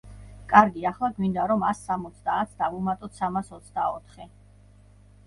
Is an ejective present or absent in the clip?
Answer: present